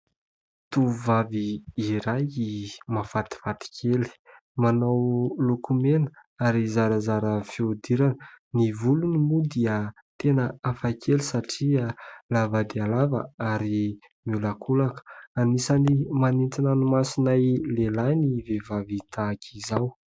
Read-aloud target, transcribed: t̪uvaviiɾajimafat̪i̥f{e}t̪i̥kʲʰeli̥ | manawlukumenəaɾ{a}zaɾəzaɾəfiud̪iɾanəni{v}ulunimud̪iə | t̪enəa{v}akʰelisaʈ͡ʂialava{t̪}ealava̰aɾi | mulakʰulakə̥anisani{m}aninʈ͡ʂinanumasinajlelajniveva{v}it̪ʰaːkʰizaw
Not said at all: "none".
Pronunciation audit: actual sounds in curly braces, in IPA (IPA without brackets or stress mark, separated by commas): a, i, v, f, d̪, m, v